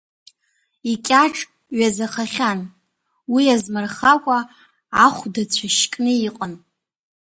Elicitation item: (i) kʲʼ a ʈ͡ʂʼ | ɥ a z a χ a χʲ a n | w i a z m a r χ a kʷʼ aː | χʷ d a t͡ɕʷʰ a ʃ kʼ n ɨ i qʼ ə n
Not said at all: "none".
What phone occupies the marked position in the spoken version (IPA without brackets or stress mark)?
i